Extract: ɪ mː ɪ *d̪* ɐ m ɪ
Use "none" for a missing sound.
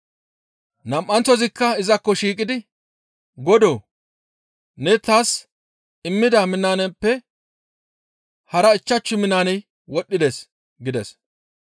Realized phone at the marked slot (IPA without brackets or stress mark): d̪